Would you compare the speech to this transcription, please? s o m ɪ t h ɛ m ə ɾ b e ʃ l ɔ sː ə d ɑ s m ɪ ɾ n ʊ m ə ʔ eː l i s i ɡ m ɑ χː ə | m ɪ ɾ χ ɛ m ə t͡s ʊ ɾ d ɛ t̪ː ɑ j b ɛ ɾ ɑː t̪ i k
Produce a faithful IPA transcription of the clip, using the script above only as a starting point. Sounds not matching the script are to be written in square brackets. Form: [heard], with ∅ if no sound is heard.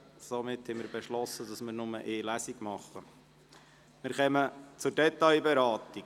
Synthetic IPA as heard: s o m ɪ t h ɛ m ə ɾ b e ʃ l ɔ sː ə d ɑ s m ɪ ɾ n ʊ m ə ʔ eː l [æ] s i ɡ m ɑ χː ə | m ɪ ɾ χ ɛ m ə t͡s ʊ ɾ d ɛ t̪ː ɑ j b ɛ ɾ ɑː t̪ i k